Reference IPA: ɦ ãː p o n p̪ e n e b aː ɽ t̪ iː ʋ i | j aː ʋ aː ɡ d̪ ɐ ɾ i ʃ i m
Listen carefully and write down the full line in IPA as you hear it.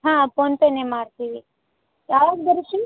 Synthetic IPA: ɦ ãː p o n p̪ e n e m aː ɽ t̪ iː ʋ i | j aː ʋ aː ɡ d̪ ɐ ɾ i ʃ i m

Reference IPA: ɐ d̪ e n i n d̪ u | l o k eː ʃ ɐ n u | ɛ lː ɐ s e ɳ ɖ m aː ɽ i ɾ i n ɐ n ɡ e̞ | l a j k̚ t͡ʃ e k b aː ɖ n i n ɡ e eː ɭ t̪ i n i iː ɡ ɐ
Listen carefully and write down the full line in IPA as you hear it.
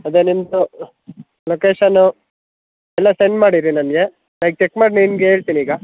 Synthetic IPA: ɐ d̪ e n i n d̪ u | l o k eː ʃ ɐ n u | ɛ lː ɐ s e ɳ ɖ m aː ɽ i ɾ i n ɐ n ɡ e̞ | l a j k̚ t͡ʃ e k m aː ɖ n i n ɡ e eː ɭ t̪ i n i iː ɡ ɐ

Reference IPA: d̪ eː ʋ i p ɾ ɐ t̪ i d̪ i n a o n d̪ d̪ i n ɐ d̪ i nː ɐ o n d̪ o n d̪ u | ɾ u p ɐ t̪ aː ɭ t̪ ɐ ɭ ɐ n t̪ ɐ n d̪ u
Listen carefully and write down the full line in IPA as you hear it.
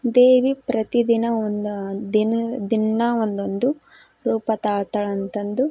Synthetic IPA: d̪ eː ʋ i p ɾ ɐ t̪ i d̪ i n ɐ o n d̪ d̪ i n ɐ d̪ i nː ɐ o n d̪ o n d̪ u | ɾ uː p ɐ t̪ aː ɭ t̪ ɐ ɭ ɐ n t̪ ɐ n d̪ u

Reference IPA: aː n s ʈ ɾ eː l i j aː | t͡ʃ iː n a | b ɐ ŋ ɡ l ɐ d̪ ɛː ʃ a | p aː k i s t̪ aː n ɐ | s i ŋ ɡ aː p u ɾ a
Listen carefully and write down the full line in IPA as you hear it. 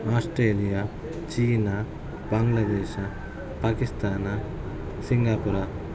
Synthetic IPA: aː s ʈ ɾ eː l i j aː | t͡ʃ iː n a | b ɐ ŋ ɡ l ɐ d̪ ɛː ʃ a | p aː k i s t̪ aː n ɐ | s i ŋ ɡ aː p u ɾ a

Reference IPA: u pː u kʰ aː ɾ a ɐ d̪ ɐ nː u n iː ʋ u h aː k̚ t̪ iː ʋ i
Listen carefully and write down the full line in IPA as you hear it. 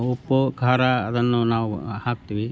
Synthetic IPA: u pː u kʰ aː ɾ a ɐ d̪ ɐ nː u n aː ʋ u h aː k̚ t̪ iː ʋ i

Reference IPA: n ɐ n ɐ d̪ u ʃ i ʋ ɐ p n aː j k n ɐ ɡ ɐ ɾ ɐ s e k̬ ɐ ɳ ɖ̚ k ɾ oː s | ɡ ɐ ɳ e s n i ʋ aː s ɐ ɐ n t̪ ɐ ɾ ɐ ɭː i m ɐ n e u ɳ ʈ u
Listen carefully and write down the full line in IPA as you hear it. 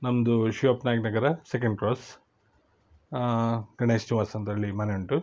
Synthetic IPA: n ɐ m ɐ d̪ u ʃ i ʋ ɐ p n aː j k n ɐ ɡ ɐ ɾ ɐ s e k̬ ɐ ɳ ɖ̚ k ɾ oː s | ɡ ɐ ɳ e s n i ʋ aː s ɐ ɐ n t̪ ɐ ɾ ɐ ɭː i m ɐ n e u ɳ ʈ u

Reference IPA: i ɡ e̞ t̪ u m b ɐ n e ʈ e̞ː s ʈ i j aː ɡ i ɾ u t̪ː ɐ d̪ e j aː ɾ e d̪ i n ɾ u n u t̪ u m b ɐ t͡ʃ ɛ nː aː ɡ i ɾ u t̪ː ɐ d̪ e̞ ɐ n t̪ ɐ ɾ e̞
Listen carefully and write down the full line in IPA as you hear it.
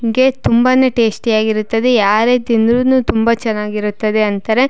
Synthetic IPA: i ɡ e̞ t̪ u m b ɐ n e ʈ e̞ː s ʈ i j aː ɡ i ɾ u t̪ː ɐ d̪ e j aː ɾ e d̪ i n ɾ u n u t̪ u m b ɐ t͡ʃ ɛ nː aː ɡ i ɾ u t̪ː ɐ d̪ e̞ ɐ n t̪ ɐ ɾ e̞

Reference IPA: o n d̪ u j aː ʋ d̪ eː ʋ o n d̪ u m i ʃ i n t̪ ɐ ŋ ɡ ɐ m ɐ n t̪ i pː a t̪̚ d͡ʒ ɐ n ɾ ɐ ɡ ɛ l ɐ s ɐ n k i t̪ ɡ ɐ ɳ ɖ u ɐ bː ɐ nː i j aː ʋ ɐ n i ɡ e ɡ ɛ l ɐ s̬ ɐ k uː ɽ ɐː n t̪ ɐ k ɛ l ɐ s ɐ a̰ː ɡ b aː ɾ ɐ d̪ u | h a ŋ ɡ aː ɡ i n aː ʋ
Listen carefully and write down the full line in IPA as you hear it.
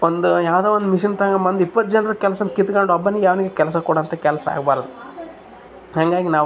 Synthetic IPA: o n d̪ u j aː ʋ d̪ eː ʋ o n d̪ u m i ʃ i n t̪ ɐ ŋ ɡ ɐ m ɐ n d̪ i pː ɐ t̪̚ d͡ʒ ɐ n ɾ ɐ k ɛ l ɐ s ɐ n k i t̪ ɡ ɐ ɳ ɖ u ɐ bː ɐ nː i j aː ʋ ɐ n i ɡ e k ɛ l ɐ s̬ ɐ k uː ɽ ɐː n t̪ ɐ k ɛ l ɐ s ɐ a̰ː ɡ b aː ɾ ɐ d̪ u | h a ŋ ɡ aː ɡ i n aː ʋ

